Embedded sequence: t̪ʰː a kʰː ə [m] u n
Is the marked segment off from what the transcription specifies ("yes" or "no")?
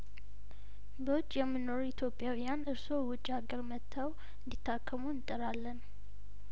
no